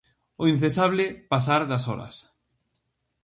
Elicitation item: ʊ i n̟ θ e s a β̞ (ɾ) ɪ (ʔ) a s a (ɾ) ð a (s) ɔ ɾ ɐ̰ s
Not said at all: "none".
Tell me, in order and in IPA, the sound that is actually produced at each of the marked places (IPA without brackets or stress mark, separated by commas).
l, p, ɾ, s